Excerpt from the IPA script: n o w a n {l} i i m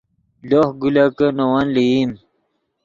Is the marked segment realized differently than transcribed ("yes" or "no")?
no